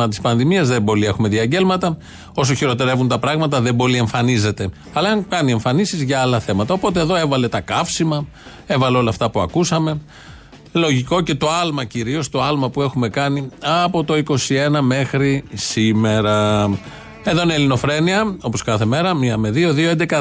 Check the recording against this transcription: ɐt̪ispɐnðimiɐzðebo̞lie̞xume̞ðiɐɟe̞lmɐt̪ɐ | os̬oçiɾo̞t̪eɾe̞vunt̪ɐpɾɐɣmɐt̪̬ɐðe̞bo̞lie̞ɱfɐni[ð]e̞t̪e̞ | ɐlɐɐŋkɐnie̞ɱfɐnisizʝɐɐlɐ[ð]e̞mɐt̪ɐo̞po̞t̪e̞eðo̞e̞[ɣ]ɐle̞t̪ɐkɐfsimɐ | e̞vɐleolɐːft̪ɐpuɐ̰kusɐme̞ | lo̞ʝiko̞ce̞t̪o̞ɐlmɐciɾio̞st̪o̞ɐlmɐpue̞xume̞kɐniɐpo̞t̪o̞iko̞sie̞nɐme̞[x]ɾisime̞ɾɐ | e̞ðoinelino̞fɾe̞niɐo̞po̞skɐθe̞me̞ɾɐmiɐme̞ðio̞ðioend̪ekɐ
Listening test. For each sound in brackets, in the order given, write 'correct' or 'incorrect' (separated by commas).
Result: incorrect, incorrect, incorrect, correct